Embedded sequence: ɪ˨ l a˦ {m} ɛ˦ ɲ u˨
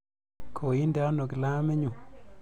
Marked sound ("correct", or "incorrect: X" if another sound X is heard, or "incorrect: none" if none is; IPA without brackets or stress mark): correct